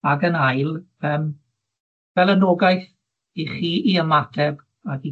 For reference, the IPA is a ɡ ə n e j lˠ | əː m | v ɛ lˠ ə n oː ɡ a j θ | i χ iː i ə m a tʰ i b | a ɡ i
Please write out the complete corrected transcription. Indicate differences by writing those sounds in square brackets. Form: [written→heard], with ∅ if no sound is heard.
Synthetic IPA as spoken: a ɡ ə n [e→a] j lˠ | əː m | v ɛ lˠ ə n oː ɡ a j θ | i χ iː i ə m a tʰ [i→ɛ] b | a ɡ i